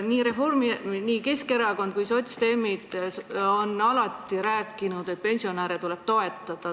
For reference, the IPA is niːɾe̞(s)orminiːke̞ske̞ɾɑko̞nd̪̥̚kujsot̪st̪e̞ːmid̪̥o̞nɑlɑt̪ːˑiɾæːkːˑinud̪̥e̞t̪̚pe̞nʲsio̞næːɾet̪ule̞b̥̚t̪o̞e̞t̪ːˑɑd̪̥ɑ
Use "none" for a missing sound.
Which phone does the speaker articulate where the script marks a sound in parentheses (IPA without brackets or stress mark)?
f